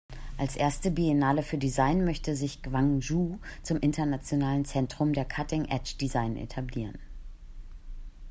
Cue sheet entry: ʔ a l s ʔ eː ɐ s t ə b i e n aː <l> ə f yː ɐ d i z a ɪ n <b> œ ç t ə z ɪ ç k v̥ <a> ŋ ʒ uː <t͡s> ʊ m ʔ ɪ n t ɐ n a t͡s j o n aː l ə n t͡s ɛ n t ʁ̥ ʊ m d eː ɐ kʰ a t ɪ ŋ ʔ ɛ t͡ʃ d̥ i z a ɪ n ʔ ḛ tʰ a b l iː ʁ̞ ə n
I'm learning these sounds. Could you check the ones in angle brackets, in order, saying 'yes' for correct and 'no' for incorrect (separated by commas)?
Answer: yes, no, yes, yes